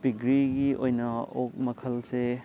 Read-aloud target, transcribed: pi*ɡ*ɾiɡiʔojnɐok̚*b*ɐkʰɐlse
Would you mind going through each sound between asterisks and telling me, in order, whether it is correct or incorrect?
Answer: correct, incorrect: m

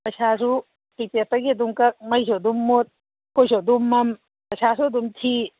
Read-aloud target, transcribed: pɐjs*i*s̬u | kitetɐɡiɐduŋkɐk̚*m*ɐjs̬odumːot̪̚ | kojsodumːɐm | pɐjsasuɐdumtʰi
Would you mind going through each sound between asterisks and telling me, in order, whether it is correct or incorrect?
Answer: incorrect: a, correct

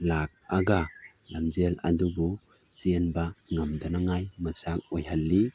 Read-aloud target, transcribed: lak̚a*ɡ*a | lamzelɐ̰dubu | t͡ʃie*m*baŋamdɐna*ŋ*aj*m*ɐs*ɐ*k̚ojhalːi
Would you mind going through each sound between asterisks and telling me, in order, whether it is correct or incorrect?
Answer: correct, incorrect: n, correct, correct, incorrect: a

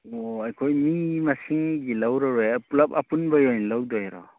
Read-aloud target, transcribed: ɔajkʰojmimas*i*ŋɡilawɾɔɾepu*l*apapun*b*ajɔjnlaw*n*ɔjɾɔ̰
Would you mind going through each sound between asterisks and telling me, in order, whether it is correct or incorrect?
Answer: correct, correct, correct, incorrect: d

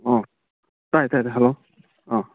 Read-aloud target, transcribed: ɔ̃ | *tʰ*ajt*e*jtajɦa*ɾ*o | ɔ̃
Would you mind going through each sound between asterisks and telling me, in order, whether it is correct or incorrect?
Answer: incorrect: t, incorrect: a, incorrect: l

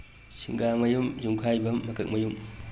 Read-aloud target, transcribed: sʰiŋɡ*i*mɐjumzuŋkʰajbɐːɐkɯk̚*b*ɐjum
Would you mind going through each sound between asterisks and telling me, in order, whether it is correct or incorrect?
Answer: incorrect: a, incorrect: m

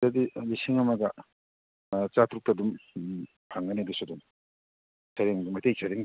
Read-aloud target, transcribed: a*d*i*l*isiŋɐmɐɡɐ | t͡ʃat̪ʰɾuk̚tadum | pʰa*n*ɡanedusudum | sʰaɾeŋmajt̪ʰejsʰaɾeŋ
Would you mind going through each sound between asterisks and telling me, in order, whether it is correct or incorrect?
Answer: correct, correct, incorrect: ŋ

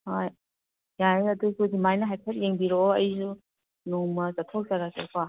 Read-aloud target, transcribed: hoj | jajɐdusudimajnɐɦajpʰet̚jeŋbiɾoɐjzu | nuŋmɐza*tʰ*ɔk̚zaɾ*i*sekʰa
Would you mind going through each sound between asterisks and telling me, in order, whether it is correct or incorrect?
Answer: correct, incorrect: a

